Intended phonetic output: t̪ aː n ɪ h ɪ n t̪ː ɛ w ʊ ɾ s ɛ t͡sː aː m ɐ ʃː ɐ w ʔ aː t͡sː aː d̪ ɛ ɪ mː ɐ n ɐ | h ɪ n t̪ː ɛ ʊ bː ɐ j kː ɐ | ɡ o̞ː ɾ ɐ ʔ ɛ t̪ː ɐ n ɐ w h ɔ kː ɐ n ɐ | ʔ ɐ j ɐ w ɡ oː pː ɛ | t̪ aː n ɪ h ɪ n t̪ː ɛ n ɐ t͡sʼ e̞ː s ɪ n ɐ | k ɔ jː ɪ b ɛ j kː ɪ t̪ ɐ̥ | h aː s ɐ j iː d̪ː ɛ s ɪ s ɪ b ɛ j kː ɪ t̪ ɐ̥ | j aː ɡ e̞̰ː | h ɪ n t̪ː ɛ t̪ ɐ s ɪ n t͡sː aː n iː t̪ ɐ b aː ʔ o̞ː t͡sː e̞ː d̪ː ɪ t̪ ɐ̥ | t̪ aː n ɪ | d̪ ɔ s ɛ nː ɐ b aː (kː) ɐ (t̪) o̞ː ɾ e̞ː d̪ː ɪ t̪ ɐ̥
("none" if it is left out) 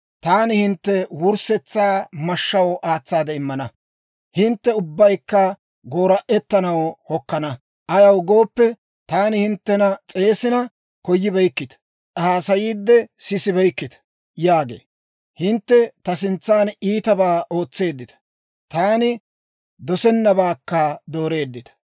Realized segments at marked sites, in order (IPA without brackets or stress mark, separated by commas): kː, d̪